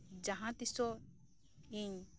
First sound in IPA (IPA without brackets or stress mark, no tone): d͡ʒ